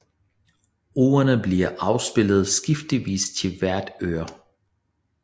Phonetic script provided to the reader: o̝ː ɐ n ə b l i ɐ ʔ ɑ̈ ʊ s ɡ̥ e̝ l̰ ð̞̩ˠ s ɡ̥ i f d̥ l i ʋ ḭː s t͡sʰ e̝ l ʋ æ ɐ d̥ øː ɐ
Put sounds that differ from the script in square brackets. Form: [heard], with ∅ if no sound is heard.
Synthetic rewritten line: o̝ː ɐ n ə b l i ɐ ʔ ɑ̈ ʊ s [b̥] e̝ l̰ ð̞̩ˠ s ɡ̥ i f d̥ l i ʋ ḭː s t͡sʰ e̝ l ʋ æ ɐ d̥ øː ɐ